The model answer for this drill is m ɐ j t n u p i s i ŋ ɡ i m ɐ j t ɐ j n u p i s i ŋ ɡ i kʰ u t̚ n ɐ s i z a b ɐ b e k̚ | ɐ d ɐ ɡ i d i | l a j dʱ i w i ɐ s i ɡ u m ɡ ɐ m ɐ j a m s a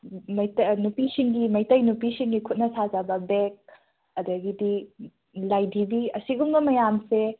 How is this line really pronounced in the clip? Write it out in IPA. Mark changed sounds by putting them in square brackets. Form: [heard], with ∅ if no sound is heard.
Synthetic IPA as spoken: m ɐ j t n u p i s i ŋ ɡ i m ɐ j t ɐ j n u p i s i ŋ ɡ i kʰ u t̚ n ɐ s [a] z a b ɐ b e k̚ | ɐ d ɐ ɡ i d i | l a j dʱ i [b] i ɐ s i ɡ u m ɡ ɐ m ɐ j a m s [e]